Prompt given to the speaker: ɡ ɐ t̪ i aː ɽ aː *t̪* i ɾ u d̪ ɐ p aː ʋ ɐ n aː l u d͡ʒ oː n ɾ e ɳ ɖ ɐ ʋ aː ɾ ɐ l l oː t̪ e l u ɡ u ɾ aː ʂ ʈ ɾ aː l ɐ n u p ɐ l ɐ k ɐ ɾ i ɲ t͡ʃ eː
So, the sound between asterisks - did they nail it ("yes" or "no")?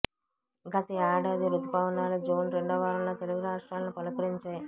no